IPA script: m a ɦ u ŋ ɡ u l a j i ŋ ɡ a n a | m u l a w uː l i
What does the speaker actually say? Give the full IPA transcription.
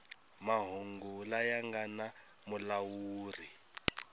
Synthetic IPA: m a ɦ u ŋ ɡ u l a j a ŋ ɡ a n a | m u l a w uː r i